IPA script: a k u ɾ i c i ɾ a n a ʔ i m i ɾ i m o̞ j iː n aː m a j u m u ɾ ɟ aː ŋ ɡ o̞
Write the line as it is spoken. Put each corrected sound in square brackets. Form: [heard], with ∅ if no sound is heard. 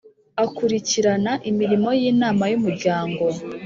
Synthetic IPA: a k u ɾ i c i ɾ a n a ʔ i m i ɾ i m o̞ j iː n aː m a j u m u ɾ ɟ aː ŋ ɡ o̞